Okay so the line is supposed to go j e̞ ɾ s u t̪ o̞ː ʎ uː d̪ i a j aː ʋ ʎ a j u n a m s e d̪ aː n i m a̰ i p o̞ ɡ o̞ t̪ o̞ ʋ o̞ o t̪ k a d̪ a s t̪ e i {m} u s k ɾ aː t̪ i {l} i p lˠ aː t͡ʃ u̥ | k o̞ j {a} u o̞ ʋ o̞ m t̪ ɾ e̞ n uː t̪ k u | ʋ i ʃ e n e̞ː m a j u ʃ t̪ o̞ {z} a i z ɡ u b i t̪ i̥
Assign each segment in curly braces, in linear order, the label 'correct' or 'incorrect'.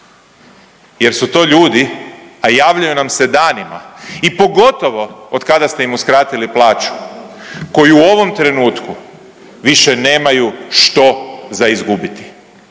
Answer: correct, correct, incorrect: i, correct

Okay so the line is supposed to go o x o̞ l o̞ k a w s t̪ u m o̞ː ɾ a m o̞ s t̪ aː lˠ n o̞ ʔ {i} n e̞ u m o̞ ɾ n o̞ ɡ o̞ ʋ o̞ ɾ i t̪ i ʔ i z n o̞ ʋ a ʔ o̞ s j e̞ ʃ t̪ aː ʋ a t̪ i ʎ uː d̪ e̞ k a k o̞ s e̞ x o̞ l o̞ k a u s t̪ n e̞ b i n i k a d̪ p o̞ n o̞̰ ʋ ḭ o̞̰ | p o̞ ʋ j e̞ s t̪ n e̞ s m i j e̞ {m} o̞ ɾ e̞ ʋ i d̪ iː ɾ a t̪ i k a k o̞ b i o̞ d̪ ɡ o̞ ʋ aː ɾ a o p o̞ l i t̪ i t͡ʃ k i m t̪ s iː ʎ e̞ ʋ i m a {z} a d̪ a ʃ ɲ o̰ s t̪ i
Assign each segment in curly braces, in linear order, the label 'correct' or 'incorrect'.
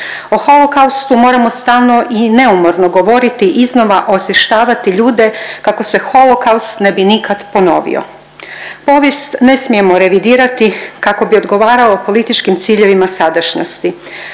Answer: correct, correct, incorrect: s

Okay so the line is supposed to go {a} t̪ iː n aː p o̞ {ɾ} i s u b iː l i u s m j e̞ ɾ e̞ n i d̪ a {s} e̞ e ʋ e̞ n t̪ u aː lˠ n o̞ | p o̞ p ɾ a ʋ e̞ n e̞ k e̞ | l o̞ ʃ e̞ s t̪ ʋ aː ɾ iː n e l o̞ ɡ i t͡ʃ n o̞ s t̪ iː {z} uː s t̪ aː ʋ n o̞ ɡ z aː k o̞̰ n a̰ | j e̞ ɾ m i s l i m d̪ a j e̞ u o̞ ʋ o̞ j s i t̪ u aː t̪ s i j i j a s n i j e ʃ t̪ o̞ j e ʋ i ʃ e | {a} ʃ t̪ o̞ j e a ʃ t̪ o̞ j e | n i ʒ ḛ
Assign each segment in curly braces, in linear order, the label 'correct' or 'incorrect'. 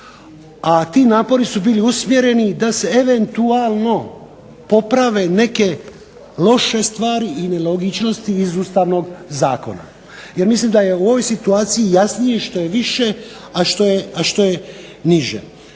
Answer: correct, correct, correct, correct, correct

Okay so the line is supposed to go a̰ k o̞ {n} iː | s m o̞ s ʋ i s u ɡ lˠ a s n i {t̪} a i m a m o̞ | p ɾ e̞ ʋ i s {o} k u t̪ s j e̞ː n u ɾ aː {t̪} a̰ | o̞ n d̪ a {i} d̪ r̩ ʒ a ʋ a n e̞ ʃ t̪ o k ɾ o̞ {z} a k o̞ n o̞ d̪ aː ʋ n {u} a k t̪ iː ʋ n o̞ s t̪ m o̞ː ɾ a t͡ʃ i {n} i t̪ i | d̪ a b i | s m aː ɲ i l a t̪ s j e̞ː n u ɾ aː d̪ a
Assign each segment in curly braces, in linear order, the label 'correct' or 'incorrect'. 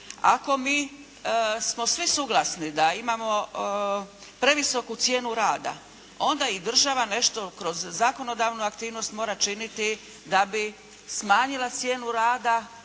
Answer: incorrect: m, incorrect: d̪, correct, incorrect: d̪, correct, incorrect: zː, correct, correct

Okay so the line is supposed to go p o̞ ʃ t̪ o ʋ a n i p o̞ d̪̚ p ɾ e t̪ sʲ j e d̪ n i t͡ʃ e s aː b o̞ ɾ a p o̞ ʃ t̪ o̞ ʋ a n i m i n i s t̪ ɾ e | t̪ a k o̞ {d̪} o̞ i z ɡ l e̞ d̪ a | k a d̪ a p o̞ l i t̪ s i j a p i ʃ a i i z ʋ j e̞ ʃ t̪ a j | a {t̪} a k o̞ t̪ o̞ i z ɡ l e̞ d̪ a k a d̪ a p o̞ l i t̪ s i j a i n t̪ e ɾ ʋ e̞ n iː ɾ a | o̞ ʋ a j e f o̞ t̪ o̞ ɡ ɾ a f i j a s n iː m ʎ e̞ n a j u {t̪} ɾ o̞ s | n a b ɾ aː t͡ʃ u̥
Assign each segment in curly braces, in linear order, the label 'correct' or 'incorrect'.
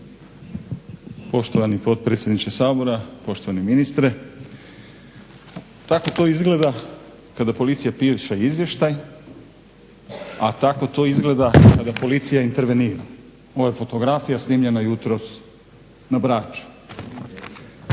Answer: incorrect: t̪, correct, correct

